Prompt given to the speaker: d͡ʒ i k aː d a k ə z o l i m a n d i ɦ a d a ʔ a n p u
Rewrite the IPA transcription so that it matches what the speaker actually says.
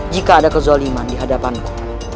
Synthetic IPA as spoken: d͡ʒ i k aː d a k ə z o l i m a n d i ɦ a d a p a n k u